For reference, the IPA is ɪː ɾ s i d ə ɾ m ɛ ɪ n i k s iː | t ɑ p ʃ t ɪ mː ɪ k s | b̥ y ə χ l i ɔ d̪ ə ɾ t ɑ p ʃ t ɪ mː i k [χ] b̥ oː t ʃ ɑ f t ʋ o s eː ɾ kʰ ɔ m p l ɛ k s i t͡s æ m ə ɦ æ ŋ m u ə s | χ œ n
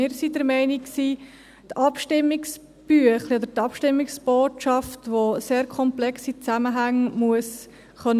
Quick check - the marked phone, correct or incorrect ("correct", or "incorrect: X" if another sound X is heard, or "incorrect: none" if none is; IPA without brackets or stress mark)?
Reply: incorrect: s